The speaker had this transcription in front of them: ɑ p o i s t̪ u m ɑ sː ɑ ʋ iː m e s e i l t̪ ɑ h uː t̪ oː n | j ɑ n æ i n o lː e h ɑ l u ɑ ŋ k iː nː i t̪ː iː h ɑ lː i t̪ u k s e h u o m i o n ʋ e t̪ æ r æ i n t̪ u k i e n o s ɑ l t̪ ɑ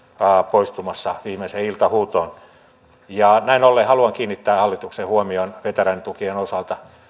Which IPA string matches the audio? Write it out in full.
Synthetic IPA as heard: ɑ p o i s t̪ u m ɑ sː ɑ ʋ iː m e s e i l t̪ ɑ h uː t̪ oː n | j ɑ n æ i n o lː e h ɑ l u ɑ ŋ k iː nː i t̪ː æː h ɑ lː i t̪ u k s e h u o m i o n ʋ e t̪ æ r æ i n t̪ u k i e n o s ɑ l t̪ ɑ